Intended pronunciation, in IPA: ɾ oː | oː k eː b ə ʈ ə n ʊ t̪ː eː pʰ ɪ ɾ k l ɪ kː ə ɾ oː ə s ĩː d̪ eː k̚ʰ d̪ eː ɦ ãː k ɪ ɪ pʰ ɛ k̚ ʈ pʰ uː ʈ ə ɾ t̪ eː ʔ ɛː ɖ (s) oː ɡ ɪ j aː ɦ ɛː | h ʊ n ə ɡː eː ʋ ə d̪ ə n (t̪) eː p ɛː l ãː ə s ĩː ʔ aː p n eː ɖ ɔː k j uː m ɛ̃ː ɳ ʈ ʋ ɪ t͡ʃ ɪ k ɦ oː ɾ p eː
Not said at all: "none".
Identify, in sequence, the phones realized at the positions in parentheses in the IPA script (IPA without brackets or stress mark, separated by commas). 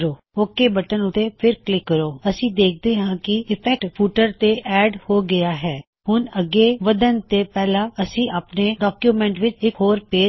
h, t̪